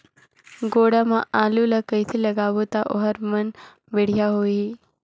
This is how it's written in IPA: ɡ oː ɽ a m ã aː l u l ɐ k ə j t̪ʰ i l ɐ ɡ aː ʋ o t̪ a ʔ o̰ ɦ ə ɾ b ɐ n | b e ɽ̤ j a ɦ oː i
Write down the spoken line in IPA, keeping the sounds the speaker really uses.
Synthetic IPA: ɡ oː ɽ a m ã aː l u l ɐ k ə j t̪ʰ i l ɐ ɡ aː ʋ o t̪ a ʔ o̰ ɦ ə ɾ m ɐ n | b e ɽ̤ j a ɦ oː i